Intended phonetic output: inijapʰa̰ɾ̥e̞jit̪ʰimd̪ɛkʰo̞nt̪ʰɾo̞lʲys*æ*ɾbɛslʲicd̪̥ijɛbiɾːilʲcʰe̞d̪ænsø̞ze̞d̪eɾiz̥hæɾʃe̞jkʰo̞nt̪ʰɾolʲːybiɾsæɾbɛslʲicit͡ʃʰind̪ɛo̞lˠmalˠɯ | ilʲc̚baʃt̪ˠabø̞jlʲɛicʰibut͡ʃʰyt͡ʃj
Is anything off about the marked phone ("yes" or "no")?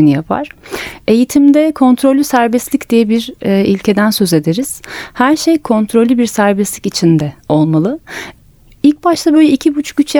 no